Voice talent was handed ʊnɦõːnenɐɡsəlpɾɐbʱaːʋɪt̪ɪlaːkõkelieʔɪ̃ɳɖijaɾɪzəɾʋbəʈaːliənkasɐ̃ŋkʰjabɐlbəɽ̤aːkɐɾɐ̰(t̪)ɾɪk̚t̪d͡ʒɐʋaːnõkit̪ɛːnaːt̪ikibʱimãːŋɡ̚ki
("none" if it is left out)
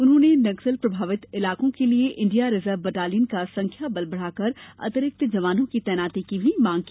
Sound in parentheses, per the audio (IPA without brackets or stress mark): t̪